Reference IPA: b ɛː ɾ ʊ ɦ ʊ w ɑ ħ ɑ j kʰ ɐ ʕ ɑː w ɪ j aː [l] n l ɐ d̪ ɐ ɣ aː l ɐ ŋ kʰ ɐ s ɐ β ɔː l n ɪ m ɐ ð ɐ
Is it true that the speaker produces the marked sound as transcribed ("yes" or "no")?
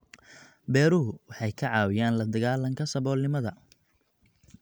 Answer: no